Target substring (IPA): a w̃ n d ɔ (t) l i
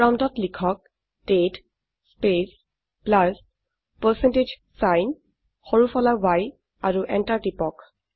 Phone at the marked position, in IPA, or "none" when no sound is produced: t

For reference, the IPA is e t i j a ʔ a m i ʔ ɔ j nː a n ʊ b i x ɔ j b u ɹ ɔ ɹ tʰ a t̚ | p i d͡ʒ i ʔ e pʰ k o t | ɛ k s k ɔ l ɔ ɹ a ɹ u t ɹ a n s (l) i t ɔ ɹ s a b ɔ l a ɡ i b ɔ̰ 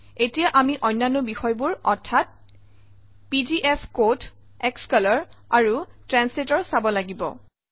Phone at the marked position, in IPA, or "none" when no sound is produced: l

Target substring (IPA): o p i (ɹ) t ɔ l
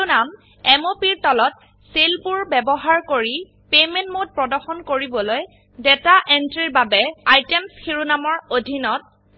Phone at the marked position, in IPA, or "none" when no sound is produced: ɹ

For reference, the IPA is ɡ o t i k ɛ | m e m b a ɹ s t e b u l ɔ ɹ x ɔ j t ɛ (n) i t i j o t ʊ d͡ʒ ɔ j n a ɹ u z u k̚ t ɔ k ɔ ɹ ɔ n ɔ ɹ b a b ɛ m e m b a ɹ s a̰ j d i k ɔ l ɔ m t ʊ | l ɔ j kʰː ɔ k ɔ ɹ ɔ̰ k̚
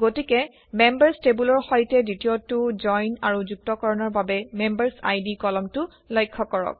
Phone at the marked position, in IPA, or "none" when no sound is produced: d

